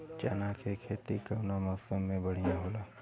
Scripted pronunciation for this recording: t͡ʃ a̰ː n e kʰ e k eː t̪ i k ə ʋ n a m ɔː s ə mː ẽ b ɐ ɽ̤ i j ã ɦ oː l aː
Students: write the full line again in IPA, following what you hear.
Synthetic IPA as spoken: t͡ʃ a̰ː n a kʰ e kʰ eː t̪ i k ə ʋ n a m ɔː s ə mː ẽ b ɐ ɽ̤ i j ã ɦ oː l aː